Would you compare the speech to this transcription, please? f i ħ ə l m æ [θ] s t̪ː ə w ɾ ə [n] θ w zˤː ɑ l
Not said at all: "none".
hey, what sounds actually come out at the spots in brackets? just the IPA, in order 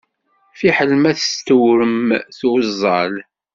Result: θ, m

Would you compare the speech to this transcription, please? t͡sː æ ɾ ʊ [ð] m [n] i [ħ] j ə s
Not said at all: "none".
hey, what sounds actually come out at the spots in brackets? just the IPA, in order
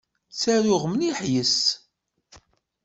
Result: ʁ, n, ħ

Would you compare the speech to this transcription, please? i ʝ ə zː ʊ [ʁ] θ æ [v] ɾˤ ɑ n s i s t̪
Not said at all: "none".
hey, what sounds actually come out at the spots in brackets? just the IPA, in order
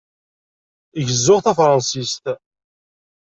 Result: ʁ, f

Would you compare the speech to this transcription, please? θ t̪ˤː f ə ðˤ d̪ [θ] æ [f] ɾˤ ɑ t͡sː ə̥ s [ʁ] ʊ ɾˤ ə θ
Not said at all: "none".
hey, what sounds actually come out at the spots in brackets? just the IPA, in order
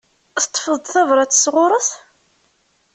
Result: θ, v, ʁ

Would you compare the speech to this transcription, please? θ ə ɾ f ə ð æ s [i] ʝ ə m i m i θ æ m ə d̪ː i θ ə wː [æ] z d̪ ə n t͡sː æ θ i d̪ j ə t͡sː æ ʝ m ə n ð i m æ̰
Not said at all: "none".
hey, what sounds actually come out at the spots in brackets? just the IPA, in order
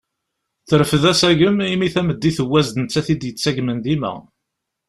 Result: æ, æ

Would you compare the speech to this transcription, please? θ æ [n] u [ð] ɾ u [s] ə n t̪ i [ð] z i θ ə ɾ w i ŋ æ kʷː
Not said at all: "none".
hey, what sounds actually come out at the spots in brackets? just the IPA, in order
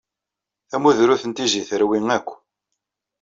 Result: m, ð, θ, none

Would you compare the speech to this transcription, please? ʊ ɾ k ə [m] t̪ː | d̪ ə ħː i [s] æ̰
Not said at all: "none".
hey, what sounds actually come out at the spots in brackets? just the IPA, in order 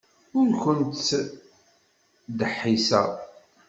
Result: n, s

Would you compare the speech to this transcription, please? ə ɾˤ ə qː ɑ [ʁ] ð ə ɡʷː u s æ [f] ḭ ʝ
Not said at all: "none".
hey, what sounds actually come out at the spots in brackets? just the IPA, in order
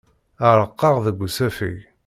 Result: ʁ, f

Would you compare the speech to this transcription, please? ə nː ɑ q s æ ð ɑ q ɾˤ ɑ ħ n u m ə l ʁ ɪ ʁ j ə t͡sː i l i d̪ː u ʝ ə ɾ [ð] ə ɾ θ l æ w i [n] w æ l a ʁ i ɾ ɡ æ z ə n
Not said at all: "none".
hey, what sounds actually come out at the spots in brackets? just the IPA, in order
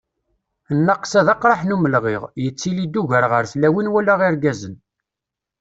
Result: ʁ, n

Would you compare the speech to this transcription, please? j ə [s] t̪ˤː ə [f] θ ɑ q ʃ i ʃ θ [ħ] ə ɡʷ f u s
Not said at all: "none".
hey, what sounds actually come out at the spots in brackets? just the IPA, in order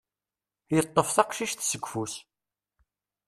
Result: none, f, s

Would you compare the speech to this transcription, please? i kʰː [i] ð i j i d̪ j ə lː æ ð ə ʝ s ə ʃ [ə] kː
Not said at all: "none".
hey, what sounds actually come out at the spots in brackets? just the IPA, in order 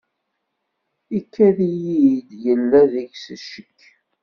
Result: æ, ə

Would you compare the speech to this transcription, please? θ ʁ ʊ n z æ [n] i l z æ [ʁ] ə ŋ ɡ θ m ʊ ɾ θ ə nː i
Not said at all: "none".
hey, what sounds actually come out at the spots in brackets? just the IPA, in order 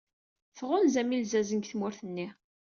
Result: m, z

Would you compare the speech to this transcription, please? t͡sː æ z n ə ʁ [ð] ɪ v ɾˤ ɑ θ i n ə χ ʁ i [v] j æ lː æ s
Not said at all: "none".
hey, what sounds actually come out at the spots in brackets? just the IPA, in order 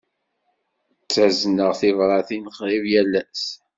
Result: θ, v

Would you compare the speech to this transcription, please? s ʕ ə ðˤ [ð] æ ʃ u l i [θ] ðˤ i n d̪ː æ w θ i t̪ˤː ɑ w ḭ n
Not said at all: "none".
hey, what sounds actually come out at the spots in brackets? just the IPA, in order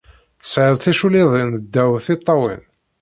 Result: θ, none

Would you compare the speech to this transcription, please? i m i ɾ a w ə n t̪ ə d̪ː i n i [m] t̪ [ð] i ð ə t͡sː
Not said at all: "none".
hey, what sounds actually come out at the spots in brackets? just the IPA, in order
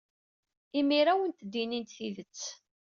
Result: n, θ

